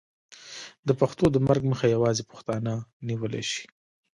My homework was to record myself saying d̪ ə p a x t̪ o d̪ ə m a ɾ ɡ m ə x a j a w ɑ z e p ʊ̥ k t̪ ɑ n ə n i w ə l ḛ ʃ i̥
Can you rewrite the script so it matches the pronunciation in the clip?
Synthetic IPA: d̪ ə p a x t̪ o d̪ ə m a ɾ ɡ m ə x a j a w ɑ z e p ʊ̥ x t̪ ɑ n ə n i w ə l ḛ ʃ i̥